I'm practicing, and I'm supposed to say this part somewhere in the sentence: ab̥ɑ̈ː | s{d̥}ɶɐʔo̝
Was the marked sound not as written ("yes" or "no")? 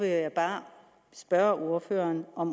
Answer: yes